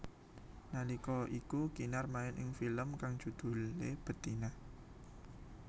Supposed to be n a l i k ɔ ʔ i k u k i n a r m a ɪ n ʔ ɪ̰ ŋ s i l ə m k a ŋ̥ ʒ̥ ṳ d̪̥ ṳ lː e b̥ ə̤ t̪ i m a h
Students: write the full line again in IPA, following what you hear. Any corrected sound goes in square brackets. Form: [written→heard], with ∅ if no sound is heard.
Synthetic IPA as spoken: n a l i k ɔ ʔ i k u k i n a r m a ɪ n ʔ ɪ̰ ŋ [s→f] i l ə m k a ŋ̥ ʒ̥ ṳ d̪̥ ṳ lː e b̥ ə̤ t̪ i [m→n] a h